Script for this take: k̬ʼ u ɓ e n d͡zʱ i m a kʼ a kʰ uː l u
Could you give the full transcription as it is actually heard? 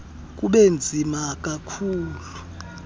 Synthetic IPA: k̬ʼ u ɓ e n d͡zʱ i m a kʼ a kʰ uː l u